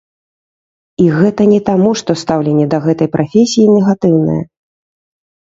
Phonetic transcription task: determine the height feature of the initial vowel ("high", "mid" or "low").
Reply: high